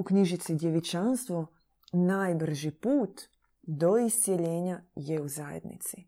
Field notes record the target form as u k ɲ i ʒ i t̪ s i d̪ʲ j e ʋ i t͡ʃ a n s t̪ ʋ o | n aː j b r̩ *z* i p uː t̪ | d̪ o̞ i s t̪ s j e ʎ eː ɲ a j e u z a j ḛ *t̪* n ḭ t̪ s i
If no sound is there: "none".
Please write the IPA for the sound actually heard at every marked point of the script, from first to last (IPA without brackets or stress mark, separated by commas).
ʒ, d̪